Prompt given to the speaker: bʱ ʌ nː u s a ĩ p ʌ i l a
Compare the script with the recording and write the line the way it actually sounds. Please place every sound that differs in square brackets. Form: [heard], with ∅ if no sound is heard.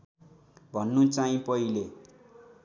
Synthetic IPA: bʱ ʌ nː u [t͡s] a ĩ p ʌ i l [e]